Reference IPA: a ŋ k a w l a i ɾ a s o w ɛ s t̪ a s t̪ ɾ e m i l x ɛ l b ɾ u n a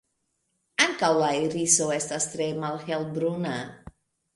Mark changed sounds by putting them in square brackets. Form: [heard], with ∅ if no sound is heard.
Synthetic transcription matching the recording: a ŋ k a w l a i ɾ [i] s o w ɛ s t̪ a s t̪ ɾ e m [a] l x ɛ l b ɾ u n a